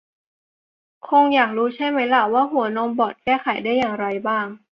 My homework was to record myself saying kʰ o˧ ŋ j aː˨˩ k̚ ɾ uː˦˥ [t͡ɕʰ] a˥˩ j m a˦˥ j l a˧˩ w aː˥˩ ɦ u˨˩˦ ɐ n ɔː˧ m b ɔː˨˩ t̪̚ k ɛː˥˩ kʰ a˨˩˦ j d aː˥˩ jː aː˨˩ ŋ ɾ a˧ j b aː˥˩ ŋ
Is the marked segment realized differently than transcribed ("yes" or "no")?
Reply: no